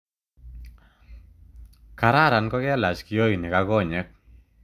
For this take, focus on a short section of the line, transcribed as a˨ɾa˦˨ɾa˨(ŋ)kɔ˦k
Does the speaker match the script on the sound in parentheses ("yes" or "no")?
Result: no